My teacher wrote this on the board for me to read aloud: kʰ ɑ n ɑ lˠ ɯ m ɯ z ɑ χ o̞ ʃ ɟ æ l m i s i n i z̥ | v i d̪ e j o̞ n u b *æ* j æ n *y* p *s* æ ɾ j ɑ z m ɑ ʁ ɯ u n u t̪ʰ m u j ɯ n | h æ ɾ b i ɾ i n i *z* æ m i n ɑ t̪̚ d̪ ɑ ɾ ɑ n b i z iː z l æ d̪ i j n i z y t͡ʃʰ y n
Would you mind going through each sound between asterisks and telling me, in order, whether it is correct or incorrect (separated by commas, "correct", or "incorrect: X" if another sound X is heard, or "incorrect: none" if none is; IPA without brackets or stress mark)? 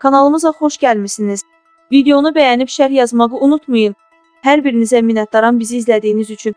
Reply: correct, incorrect: i, incorrect: ʃ, correct